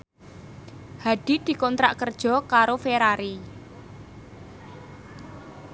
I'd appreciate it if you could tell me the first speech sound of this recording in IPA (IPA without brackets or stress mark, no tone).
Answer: h